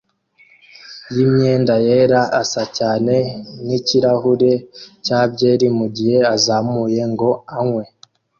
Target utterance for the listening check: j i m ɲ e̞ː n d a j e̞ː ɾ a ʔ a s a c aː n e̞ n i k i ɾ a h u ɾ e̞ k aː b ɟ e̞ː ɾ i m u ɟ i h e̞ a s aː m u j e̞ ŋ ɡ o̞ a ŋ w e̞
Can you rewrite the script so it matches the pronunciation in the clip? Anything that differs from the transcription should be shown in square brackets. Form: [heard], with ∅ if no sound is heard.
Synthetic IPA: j i m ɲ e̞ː n d a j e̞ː ɾ a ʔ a s a c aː n e̞ n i [c] i ɾ a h u ɾ e̞ [c] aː b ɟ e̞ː ɾ i m u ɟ i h e̞ a [z] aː m u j e̞ ŋ ɡ o̞ a ŋ w e̞